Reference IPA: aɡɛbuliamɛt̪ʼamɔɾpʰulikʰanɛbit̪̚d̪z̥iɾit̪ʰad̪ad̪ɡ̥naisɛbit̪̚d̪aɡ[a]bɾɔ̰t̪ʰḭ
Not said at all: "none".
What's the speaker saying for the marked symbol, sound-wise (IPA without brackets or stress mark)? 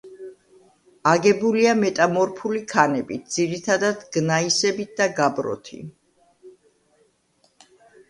a